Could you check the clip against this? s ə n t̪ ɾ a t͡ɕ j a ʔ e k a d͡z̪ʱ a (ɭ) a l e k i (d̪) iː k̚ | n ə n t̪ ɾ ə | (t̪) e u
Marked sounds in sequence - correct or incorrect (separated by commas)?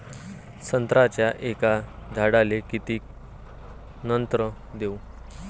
incorrect, incorrect, incorrect